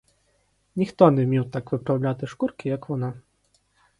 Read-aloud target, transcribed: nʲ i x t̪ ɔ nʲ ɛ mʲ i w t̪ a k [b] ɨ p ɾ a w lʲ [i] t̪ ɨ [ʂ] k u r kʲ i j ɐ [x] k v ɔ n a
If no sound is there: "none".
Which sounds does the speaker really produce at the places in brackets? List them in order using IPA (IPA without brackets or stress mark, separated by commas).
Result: v, a, ʂ, none